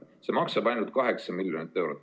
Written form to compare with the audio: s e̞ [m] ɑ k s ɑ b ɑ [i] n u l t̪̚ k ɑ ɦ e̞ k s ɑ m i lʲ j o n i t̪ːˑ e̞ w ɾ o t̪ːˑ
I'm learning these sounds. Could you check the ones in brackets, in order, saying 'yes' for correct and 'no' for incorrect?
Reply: yes, no

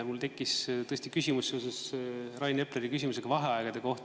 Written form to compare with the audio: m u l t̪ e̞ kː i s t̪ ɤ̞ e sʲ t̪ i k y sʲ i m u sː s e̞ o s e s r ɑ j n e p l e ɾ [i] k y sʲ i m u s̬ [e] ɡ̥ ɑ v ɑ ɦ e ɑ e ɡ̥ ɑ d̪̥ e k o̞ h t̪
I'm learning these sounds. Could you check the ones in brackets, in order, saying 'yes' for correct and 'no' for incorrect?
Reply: yes, yes

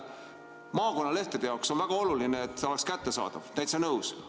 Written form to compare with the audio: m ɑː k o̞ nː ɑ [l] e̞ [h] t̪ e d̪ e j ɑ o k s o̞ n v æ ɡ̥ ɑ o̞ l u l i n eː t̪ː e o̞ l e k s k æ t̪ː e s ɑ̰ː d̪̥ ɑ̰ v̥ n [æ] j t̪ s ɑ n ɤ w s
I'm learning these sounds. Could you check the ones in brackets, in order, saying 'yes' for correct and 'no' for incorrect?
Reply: yes, yes, yes

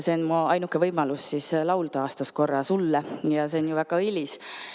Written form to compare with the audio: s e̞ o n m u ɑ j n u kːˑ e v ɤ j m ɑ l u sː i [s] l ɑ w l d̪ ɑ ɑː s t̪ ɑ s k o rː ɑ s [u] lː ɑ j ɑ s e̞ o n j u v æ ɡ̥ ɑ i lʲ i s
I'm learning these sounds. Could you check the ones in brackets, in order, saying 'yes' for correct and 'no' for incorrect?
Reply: yes, yes

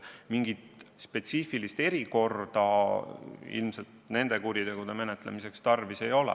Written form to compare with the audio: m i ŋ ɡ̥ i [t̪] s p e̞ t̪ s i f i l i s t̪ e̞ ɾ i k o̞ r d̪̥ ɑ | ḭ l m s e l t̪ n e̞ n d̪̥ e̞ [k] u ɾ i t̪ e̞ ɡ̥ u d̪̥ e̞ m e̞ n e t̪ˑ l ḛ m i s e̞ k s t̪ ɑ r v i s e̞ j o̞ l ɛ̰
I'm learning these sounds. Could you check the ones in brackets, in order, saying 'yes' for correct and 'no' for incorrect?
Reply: yes, yes

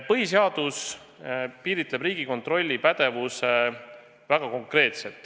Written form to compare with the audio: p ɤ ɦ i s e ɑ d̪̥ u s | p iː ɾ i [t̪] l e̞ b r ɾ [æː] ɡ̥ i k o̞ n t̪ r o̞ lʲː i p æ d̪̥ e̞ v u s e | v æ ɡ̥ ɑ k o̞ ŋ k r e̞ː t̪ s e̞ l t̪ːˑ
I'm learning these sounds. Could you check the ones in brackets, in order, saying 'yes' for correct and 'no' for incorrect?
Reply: yes, no

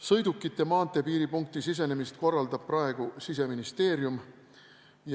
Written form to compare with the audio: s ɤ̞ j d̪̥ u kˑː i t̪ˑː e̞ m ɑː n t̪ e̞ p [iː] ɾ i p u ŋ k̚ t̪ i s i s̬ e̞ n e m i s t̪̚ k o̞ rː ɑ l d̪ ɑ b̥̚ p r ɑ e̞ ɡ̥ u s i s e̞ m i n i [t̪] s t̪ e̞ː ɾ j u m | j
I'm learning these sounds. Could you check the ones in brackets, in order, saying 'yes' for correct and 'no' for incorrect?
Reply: yes, no

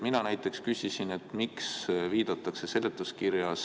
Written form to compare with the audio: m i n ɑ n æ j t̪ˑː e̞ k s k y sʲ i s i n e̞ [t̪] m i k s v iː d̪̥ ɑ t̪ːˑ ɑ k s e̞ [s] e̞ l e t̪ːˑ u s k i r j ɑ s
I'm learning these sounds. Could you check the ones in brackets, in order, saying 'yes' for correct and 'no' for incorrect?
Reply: yes, yes

